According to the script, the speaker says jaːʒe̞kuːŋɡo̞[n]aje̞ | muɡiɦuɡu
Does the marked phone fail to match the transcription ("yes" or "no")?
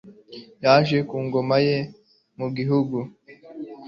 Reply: yes